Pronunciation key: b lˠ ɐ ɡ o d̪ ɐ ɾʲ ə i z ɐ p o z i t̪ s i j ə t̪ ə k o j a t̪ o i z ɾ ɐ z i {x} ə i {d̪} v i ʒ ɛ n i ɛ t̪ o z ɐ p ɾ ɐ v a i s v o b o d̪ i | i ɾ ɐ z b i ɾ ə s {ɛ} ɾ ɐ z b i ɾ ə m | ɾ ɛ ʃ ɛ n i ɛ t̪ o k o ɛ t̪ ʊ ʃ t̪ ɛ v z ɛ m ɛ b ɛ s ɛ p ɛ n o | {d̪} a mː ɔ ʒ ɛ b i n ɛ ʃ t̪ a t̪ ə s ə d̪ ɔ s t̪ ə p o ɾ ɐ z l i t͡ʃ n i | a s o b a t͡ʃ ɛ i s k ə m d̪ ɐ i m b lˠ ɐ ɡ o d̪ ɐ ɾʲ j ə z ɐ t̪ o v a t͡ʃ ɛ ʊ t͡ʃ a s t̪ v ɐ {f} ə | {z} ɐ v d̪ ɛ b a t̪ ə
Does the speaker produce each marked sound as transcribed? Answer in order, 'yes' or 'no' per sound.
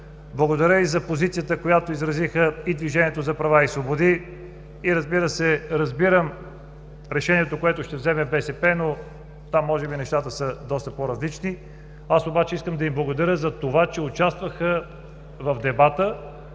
yes, yes, yes, no, no, no

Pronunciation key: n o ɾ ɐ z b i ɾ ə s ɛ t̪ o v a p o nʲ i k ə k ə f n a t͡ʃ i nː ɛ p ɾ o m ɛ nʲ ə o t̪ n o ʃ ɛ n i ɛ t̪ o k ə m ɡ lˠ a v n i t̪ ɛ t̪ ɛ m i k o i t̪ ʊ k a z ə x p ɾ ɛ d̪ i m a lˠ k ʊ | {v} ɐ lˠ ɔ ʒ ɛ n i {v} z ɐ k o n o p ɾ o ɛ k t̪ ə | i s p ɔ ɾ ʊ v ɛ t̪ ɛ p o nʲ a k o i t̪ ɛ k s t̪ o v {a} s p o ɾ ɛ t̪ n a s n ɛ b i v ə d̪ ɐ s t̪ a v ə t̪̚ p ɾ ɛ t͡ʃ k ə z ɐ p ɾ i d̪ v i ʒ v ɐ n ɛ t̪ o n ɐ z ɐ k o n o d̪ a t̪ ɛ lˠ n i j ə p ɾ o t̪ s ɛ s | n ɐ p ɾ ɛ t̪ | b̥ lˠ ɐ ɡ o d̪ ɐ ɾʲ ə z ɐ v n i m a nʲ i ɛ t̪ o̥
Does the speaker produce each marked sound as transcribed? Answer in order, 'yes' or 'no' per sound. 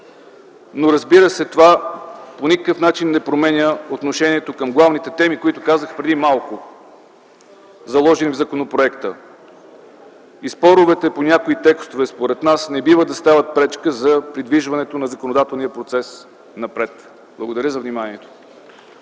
no, yes, no

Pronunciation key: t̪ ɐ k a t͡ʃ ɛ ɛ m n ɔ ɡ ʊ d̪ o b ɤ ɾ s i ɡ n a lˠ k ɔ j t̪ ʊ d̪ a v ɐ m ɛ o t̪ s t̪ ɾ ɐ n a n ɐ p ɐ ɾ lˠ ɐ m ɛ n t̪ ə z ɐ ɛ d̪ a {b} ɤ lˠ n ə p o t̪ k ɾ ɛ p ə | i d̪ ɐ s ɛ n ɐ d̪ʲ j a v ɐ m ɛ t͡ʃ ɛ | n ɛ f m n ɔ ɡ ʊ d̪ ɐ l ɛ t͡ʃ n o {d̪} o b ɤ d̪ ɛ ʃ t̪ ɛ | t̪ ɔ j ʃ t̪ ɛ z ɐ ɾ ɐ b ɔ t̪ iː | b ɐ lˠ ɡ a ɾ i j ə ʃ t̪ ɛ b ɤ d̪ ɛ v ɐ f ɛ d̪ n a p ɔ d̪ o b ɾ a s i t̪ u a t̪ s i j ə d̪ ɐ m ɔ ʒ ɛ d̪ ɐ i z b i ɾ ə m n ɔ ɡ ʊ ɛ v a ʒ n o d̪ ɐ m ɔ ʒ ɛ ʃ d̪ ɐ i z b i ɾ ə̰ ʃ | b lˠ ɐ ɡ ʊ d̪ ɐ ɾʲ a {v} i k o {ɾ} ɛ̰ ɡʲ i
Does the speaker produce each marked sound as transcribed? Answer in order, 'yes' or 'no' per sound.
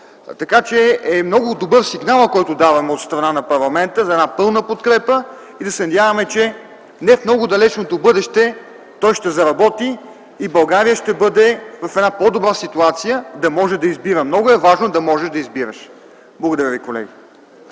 no, no, yes, no

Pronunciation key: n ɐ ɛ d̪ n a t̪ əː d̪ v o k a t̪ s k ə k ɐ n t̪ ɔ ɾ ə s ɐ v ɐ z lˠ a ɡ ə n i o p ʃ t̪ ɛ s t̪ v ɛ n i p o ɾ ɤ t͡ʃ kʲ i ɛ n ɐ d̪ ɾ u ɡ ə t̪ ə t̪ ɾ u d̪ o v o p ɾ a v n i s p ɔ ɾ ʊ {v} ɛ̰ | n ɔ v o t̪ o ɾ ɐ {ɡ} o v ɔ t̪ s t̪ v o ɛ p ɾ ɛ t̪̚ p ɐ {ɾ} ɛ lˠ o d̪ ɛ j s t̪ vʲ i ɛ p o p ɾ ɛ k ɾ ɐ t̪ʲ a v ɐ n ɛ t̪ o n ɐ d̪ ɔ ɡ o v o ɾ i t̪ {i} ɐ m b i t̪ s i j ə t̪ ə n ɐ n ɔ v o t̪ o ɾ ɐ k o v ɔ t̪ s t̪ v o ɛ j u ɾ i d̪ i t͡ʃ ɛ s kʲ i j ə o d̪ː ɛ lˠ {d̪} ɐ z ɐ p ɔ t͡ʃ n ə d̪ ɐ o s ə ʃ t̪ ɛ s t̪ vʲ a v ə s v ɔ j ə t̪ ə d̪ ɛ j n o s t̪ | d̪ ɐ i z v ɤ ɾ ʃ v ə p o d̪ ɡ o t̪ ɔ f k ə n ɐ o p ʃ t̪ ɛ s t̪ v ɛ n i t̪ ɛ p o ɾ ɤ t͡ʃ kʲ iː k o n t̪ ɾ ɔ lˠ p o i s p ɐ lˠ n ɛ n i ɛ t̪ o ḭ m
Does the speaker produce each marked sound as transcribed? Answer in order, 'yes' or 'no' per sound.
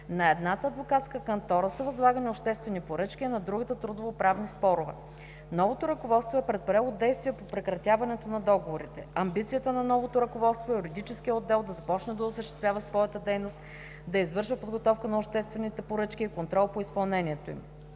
yes, no, yes, no, yes

